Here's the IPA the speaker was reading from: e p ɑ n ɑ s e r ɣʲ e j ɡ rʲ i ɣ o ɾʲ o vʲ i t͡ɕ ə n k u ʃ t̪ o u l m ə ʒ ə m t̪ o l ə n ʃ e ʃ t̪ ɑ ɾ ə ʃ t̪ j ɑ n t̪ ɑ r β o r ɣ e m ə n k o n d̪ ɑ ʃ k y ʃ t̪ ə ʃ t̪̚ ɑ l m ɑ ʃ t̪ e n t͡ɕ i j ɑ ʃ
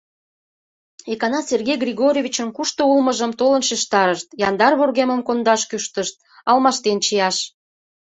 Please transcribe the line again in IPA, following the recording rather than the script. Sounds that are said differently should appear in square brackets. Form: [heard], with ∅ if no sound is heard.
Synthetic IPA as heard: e [k] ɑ n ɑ s e r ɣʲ e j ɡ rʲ i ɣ o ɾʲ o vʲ i t͡ɕ ə n k u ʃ t̪ o u l m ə ʒ ə m t̪ o l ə n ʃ e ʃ t̪ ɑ ɾ ə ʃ t̪ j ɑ n [d̪] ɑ r β o r ɣ e m ə [m] k o n d̪ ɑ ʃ k y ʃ t̪ ə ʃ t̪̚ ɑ l m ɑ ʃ t̪ e n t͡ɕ i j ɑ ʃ